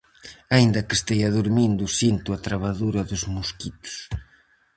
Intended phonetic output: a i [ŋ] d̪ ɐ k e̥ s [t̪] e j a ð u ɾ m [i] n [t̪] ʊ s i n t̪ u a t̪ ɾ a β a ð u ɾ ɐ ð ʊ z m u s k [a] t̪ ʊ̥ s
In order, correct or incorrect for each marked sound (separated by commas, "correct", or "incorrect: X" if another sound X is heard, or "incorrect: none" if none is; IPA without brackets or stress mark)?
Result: incorrect: n, correct, correct, incorrect: d̪, incorrect: i